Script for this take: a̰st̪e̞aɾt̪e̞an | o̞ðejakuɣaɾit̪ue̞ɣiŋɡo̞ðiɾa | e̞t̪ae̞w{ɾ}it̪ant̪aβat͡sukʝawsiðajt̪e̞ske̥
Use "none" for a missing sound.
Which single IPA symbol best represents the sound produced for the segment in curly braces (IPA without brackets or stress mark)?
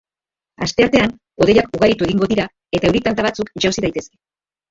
ɾ